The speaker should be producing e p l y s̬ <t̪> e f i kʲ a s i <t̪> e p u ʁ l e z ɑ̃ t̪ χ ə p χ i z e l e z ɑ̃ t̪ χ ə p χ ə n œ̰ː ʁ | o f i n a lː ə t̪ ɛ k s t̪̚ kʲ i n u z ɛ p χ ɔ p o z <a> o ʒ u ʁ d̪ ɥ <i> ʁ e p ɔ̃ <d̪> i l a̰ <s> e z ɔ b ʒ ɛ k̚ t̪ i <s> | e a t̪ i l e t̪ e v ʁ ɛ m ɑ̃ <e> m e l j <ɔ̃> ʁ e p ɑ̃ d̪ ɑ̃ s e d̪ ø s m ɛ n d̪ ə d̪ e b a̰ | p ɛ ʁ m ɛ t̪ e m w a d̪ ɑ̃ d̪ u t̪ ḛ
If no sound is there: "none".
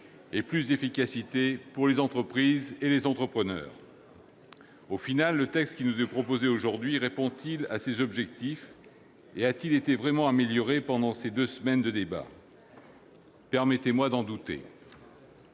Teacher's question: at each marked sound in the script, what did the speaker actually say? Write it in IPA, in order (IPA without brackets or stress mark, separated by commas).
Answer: d̪, t̪, e, i, t̪, s, f, a, ɔ